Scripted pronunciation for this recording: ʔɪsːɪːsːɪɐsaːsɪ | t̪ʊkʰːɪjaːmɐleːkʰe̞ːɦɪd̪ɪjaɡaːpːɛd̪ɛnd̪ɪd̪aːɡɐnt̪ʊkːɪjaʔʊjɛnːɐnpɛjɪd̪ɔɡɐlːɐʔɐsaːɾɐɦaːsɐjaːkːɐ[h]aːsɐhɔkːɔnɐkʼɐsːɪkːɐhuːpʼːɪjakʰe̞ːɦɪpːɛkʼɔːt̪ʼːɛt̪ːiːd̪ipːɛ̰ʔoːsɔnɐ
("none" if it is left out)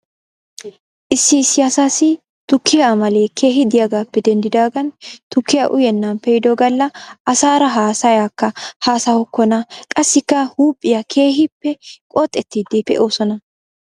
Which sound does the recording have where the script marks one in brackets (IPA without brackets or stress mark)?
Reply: h